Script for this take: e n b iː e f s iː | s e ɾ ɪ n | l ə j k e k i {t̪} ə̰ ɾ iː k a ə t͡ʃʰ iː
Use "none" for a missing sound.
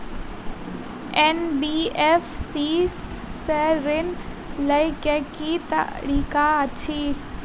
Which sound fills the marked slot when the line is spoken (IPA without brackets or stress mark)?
t̪